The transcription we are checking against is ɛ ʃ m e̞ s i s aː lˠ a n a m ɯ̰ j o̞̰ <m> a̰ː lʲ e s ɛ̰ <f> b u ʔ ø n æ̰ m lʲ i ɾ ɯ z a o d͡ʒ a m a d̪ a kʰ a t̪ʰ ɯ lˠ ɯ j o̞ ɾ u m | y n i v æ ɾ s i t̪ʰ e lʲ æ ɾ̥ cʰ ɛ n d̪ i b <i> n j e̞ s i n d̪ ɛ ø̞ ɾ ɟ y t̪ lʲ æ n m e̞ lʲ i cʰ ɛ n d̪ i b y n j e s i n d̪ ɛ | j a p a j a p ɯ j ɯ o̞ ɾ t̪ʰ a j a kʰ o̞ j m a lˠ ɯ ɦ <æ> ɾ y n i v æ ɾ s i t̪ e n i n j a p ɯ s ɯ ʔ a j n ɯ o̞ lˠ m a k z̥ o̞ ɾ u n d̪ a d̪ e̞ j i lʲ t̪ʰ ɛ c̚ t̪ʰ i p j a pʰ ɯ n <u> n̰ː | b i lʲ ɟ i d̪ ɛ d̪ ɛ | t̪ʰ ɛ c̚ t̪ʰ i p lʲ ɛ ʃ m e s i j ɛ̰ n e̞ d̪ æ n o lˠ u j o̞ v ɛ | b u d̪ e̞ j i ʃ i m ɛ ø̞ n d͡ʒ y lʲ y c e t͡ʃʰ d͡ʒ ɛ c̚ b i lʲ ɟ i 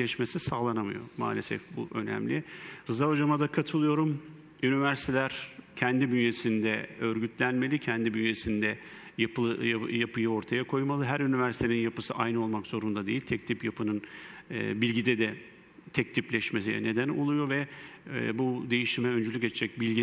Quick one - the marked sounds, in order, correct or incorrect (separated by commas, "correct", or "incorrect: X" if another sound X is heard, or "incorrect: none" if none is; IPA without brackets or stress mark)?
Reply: correct, correct, incorrect: y, correct, incorrect: ɯ